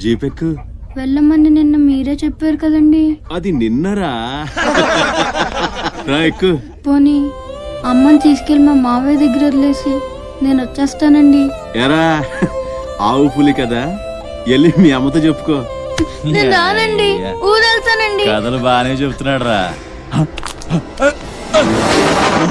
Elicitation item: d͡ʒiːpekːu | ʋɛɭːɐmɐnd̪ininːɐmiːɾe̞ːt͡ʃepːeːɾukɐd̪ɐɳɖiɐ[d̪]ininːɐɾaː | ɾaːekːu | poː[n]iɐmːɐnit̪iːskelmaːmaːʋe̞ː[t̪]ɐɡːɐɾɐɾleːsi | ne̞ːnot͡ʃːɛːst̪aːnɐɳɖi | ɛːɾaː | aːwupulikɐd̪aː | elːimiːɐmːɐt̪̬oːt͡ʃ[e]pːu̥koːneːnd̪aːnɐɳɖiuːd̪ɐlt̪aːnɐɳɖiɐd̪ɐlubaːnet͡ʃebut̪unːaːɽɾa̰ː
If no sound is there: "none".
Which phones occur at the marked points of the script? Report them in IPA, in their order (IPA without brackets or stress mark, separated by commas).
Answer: d̪, n, d̪, e